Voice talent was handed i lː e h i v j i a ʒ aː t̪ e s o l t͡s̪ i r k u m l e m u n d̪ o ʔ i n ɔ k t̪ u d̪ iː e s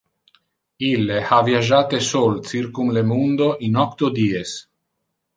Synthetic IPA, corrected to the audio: i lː e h a v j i a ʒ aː t̪ e s o l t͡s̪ i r k u m l e m u n d̪ o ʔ i n ɔ k t̪ o d̪ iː e s